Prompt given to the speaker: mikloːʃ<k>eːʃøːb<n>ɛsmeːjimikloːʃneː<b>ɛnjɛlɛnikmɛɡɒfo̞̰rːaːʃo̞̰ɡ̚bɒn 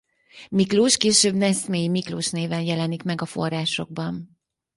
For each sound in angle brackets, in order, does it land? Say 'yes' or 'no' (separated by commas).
yes, yes, no